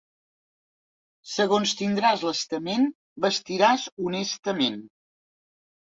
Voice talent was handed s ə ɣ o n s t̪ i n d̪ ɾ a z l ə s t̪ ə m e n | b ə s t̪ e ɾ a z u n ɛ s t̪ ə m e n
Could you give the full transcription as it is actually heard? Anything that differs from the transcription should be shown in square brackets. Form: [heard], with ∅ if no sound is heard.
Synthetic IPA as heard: s ə ɣ o n s t̪ i n d̪ ɾ a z l ə s t̪ ə m e n | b ə s t̪ [i] ɾ a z u n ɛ s t̪ ə m e n